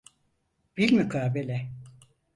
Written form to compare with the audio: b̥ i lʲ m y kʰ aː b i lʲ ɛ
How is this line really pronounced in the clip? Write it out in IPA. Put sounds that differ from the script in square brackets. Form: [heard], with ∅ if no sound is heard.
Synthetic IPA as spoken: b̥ i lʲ m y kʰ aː b [e] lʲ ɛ